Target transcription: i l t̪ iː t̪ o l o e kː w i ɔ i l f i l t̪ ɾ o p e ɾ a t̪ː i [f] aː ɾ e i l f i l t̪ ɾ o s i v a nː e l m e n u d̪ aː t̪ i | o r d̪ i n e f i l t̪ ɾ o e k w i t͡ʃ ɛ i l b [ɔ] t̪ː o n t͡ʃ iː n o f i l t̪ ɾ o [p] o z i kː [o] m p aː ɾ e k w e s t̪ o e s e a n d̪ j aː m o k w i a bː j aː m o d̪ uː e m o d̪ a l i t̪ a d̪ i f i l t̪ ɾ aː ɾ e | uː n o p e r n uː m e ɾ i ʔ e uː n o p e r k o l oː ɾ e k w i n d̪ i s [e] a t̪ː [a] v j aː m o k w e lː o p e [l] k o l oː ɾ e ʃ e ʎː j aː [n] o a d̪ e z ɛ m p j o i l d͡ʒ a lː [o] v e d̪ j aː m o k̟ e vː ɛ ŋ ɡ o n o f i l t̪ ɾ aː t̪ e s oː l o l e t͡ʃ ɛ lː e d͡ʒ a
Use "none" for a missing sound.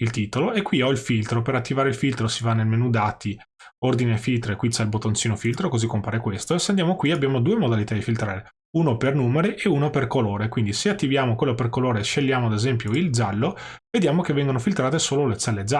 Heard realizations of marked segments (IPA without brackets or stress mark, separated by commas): v, o, k, o, e, i, r, m, o